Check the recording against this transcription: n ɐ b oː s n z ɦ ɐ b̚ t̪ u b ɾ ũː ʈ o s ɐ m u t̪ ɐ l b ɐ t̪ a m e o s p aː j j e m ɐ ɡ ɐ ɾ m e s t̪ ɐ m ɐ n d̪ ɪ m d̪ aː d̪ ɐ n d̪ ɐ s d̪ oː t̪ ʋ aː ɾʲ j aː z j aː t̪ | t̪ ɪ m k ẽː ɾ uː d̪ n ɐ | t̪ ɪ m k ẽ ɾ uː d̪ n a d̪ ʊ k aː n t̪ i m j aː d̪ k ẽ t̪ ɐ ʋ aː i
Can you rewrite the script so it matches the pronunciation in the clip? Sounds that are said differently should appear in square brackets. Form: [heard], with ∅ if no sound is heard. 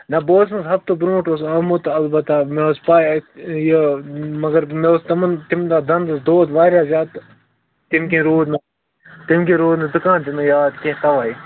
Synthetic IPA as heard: n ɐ b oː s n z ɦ ɐ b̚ t̪ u b ɾ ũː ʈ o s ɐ m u t̪ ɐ l b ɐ t̪ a m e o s p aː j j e m ɐ ɡ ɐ ɾ m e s t̪ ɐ m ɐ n [t̪] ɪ m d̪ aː d̪ ɐ n d̪ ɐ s d̪ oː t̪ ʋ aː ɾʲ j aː z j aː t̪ | t̪ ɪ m k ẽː ɾ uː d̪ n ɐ | t̪ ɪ m k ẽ ɾ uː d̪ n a d̪ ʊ k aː n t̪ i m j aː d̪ k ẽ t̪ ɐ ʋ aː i